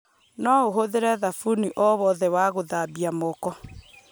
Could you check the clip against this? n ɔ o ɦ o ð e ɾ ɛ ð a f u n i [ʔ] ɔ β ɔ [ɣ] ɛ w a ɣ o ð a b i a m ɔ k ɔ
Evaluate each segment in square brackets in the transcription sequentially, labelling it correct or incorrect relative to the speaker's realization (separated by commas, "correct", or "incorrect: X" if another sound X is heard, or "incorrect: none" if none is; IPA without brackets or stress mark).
correct, incorrect: ð